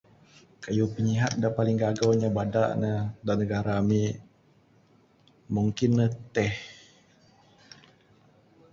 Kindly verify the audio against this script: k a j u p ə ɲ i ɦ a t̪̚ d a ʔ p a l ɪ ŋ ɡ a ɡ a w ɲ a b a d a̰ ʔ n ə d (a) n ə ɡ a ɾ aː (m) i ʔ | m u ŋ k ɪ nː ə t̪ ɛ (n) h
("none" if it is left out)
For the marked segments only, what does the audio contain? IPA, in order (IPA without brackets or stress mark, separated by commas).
a, m, none